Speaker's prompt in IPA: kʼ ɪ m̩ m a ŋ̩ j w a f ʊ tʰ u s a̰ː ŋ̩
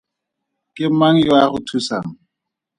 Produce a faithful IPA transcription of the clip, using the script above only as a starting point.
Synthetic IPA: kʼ ɪ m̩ m a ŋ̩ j w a χ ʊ tʰ u s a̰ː ŋ̩